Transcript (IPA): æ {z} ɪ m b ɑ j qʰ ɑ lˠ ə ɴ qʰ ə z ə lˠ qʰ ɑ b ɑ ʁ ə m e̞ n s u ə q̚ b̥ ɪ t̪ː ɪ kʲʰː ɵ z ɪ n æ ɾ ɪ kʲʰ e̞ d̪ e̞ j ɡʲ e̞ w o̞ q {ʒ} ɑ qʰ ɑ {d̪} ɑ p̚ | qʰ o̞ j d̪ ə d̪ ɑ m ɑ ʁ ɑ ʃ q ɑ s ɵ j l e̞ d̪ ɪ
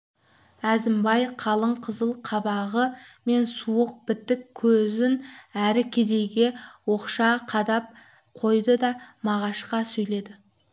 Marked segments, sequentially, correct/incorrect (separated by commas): correct, incorrect, correct